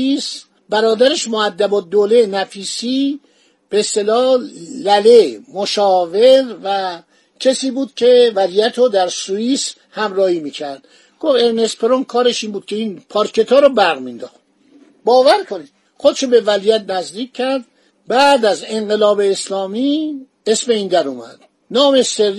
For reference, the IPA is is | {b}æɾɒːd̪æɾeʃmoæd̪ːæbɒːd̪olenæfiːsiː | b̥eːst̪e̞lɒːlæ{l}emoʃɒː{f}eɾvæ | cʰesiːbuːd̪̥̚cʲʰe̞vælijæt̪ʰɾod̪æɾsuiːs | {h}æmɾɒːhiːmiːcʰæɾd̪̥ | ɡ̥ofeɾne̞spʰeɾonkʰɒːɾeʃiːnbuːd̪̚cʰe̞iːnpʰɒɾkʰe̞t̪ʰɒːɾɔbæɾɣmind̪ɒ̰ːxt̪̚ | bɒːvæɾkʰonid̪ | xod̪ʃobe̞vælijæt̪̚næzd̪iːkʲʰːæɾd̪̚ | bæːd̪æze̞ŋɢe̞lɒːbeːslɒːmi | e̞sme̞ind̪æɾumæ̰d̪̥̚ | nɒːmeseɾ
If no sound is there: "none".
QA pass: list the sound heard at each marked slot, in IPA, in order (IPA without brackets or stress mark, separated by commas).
b, l, v, h